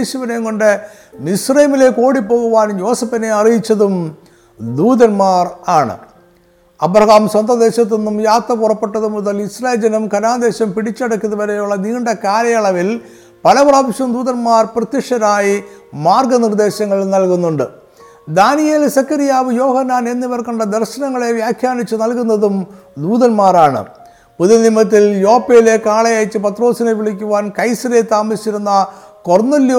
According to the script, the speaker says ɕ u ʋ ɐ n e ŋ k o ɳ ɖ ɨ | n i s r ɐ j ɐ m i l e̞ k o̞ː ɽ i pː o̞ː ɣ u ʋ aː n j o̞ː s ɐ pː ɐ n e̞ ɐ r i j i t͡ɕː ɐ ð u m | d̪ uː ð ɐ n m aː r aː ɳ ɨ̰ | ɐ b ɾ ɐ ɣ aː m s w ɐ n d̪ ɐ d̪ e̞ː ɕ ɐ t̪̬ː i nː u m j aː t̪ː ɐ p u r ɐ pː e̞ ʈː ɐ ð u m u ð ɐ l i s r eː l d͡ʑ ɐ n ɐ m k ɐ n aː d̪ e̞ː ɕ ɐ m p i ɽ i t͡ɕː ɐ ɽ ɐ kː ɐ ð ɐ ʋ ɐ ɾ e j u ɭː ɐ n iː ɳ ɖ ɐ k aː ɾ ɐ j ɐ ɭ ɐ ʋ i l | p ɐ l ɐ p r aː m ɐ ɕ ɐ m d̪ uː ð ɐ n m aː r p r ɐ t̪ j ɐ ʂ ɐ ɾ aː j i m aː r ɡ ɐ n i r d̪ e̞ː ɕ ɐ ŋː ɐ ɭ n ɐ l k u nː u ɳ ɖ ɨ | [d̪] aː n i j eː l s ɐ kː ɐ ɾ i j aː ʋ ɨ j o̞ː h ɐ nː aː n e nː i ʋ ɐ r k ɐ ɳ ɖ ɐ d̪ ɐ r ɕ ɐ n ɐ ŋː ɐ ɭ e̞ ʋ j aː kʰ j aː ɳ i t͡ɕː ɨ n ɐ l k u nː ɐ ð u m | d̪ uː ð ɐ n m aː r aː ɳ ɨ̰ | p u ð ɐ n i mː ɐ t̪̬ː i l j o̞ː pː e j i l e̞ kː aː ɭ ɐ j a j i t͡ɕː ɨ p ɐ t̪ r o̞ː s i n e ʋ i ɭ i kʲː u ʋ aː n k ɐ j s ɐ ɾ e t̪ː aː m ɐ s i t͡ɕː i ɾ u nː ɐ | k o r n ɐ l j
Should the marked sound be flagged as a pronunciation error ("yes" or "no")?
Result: no